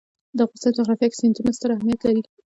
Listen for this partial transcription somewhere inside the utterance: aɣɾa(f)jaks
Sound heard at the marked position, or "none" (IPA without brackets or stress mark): f